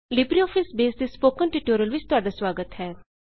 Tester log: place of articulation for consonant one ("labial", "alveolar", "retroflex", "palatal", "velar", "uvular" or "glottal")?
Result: alveolar